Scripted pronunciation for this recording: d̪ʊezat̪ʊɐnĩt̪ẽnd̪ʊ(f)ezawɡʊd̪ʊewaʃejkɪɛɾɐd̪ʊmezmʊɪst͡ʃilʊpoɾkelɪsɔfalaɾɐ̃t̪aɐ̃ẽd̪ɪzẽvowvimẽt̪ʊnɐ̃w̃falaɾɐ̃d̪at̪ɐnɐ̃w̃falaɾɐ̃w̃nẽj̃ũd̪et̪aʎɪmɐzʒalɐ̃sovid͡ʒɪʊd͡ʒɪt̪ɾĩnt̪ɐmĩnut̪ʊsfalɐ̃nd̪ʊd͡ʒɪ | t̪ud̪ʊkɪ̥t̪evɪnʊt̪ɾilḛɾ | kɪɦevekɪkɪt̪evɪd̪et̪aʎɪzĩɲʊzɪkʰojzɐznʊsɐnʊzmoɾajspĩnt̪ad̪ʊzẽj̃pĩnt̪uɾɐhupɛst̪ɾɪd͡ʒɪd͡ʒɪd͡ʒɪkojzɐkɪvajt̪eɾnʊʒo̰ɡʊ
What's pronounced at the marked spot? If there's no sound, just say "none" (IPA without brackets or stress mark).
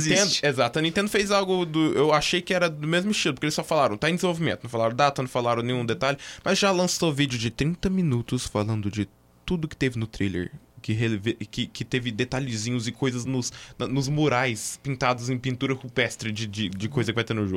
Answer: f